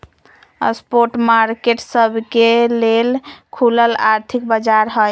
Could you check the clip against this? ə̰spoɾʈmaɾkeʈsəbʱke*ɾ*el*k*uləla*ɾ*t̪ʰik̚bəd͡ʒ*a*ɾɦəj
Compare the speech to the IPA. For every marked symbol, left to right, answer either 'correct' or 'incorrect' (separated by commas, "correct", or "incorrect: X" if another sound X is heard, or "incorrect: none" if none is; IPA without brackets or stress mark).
incorrect: l, incorrect: kʰ, correct, correct